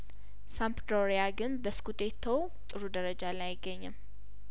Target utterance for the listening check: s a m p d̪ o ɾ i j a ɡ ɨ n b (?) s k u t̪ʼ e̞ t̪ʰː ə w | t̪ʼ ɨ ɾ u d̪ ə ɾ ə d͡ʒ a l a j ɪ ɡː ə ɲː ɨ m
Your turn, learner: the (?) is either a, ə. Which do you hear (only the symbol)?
ə